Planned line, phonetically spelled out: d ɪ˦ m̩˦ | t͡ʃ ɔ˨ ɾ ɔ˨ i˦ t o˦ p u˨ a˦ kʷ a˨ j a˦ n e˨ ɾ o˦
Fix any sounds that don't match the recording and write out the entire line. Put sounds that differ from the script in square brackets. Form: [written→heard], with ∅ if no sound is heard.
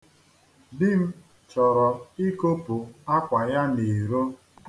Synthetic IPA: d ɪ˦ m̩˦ | t͡ʃ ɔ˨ ɾ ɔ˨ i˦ [t→k] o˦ p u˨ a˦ kʷ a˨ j a˦ n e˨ ɾ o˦